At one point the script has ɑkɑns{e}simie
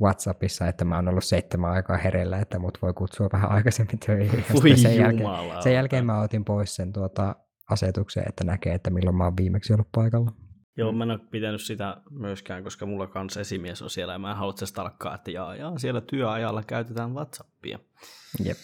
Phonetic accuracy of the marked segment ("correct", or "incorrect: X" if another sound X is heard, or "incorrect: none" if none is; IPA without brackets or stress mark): correct